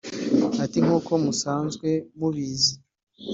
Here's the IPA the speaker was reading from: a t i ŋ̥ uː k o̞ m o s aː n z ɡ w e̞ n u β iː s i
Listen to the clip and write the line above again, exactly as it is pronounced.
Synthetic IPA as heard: a t i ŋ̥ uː k o̞ m u s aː n z ɡ w e̞ m u β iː z i